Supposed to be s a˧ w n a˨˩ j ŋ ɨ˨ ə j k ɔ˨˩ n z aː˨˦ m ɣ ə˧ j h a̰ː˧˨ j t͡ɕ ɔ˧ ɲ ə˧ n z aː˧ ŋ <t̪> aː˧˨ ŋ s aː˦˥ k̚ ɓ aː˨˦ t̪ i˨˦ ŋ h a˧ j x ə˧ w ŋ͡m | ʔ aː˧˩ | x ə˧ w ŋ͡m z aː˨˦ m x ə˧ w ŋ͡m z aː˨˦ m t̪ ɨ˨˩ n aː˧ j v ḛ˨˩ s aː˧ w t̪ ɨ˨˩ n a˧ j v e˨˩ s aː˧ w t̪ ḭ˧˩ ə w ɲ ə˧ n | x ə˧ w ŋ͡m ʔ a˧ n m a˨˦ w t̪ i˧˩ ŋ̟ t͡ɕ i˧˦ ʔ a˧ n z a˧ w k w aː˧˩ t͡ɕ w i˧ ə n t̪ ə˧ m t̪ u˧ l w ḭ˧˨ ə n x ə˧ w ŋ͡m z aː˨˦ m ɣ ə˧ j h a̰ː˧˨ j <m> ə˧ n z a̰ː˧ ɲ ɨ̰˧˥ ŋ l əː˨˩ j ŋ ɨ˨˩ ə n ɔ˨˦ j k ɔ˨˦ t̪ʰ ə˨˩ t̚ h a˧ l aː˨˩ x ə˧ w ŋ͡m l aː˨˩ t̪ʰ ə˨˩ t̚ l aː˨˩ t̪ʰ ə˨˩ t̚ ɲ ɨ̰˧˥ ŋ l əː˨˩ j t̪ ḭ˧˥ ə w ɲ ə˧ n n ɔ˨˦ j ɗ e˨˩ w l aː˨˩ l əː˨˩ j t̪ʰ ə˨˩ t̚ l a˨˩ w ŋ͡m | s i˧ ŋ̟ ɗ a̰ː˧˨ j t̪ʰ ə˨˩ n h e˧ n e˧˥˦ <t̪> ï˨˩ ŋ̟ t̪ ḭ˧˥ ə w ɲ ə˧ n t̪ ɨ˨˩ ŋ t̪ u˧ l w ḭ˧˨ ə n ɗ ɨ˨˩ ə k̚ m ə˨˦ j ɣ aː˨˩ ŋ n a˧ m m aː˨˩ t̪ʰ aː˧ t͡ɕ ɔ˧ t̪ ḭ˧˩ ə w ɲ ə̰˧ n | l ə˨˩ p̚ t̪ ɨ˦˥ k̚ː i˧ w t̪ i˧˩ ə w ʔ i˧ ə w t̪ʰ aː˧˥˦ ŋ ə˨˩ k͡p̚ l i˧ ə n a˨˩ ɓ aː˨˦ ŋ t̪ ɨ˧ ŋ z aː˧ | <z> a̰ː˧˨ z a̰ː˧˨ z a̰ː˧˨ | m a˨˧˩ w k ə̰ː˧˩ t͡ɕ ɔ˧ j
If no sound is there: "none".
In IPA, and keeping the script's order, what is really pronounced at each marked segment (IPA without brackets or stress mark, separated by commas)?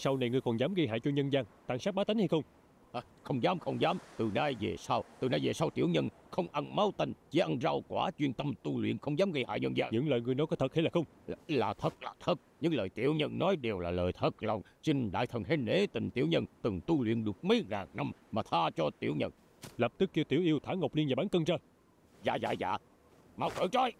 t̪, ɲ, t̪, z